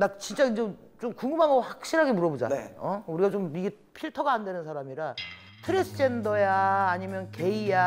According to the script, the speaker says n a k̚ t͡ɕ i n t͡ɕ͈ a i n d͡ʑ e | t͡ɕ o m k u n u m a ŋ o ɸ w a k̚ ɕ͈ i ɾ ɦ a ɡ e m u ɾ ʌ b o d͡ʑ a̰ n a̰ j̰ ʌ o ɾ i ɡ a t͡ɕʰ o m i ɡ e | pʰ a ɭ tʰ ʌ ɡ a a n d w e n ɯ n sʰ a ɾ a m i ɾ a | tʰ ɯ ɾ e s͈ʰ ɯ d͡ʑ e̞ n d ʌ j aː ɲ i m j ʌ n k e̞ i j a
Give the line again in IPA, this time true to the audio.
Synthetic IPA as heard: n a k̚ t͡ɕ i n t͡ɕ͈ a i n d͡ʑ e | t͡ɕ o m k u ŋ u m a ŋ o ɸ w a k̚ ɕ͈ i ɾ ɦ a ɡ e m u ɾ ʌ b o d͡ʑ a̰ n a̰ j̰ ʌ u ɾ i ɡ a t͡ɕ o m i ɡ e | pʰ i ɭ tʰ ʌ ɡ a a n d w e n ɯ n sʰ a ɾ a m i ɾ a | tʰ ɯ ɾ e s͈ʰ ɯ d͡ʑ e̞ n d ʌ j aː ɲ i m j ʌ n k e̞ i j a